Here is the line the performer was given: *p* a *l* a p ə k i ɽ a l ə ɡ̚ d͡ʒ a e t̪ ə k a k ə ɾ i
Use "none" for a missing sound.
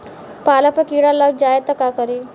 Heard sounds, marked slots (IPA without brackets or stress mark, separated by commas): p, l